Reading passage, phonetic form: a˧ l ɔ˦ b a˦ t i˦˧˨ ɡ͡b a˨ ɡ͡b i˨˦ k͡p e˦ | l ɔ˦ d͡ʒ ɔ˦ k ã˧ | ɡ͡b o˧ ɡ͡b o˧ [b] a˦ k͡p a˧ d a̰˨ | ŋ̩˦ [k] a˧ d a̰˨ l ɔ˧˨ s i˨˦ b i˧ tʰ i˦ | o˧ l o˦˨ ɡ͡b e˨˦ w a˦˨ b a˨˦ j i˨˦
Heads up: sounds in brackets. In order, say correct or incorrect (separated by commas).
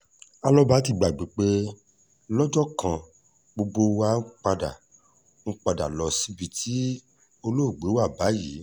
incorrect, incorrect